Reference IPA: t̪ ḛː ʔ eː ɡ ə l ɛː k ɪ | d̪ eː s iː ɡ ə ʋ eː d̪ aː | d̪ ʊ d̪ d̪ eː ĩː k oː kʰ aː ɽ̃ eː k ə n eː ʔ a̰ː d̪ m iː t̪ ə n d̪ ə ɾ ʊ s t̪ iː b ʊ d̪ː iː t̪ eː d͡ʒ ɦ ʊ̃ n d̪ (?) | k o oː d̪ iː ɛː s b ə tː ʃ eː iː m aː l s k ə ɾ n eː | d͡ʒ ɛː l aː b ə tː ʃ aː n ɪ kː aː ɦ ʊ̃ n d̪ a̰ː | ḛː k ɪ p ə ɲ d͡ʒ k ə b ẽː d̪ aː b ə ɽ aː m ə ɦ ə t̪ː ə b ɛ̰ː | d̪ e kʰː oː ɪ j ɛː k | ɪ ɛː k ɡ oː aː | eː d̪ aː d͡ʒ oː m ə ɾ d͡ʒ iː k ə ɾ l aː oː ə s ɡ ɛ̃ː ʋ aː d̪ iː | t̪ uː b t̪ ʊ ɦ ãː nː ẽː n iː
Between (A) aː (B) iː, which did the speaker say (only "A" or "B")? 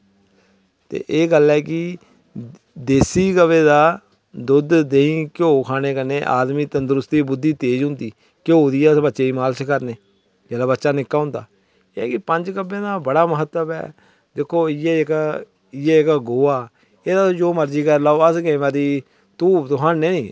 B